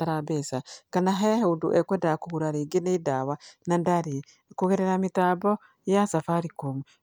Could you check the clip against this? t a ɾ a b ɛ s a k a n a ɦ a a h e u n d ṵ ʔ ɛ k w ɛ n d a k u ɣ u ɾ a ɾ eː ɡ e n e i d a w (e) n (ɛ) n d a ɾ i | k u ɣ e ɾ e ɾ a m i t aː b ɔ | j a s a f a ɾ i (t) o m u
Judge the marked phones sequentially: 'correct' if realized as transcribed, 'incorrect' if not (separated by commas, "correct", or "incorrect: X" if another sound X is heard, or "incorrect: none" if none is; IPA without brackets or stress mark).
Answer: incorrect: a, incorrect: a, incorrect: k